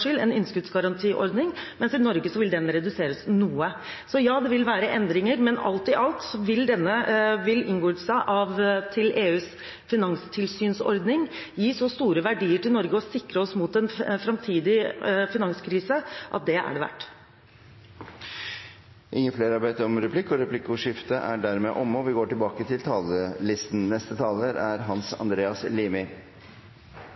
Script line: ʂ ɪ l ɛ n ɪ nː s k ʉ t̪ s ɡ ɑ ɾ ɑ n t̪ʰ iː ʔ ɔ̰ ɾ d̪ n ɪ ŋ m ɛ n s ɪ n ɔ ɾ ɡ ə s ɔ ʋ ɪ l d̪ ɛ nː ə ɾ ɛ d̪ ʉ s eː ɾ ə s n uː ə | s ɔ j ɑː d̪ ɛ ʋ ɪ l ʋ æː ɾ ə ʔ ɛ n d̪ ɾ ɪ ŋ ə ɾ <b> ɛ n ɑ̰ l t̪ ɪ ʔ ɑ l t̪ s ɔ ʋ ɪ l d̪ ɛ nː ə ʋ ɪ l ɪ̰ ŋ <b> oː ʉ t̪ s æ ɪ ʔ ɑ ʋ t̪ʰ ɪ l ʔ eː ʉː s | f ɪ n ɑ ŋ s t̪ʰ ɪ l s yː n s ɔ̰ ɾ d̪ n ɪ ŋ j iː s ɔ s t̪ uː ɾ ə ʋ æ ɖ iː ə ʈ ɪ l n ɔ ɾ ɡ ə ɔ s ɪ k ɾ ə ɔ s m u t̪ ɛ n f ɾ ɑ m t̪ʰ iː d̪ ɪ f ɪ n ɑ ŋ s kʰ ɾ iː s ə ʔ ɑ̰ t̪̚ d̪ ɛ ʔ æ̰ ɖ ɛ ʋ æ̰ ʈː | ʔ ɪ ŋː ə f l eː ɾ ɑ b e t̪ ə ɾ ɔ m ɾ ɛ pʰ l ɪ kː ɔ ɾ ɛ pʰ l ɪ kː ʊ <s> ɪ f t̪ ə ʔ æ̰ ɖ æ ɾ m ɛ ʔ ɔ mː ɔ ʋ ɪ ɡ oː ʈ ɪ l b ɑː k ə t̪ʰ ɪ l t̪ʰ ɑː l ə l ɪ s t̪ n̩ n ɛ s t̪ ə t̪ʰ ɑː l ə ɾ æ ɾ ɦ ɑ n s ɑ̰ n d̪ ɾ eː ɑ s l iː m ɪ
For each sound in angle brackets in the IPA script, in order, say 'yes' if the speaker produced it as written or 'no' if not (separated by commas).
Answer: no, no, no